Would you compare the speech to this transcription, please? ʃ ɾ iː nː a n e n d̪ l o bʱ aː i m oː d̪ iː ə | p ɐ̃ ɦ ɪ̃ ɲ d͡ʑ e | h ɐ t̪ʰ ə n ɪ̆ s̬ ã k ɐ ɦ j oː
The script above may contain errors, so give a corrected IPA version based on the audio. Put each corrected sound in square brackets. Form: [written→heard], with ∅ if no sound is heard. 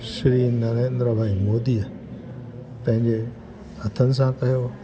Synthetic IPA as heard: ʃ ɾ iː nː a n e n d̪ [l→ɾ] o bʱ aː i m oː d̪ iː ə | p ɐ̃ ɦ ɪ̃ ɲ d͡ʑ e | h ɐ t̪ʰ ə n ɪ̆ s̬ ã k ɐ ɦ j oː